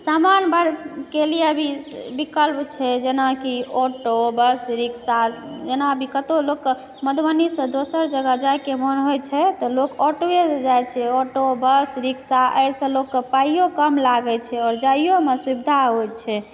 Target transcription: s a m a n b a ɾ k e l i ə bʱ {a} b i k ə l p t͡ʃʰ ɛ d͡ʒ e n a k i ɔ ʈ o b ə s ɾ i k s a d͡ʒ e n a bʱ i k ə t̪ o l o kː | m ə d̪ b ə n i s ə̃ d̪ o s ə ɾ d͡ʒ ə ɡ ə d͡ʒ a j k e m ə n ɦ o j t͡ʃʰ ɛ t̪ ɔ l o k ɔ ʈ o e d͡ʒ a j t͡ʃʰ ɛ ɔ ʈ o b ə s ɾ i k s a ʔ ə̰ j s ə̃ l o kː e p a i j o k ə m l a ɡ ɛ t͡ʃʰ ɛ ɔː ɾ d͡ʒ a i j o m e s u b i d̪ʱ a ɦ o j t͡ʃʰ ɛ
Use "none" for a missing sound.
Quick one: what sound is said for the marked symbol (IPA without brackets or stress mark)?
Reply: i